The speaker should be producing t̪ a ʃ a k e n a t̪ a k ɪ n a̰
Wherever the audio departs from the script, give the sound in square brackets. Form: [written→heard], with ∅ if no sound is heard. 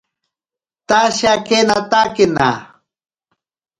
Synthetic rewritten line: t̪ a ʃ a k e n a t̪ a k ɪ n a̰